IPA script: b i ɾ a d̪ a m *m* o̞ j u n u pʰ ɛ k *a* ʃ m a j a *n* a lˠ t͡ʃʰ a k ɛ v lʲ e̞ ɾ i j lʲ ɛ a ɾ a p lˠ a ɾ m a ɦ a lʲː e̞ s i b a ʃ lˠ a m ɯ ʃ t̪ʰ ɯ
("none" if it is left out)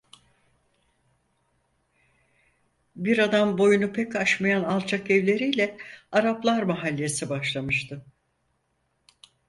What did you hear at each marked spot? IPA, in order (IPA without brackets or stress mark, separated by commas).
b, a, n